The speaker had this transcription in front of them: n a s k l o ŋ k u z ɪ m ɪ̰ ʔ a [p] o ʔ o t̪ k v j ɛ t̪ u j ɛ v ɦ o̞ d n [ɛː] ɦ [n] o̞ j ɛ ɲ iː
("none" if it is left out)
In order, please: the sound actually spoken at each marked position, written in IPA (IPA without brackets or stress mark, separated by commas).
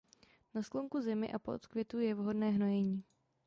p, ɛː, n